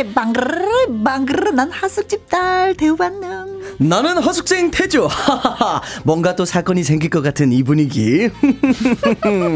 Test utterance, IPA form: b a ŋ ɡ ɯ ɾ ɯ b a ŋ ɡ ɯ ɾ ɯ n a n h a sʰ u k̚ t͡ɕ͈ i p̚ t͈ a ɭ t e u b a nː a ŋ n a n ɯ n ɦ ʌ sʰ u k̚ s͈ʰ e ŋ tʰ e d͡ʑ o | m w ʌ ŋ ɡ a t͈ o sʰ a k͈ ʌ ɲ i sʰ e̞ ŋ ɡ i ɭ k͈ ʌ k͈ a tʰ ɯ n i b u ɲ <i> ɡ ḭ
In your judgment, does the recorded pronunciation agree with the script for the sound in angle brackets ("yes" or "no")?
yes